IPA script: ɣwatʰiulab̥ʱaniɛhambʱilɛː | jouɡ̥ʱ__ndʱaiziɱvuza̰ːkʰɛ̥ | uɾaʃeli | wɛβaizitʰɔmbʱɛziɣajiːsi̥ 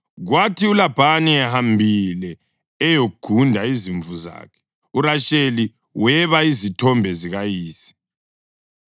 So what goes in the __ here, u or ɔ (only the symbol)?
u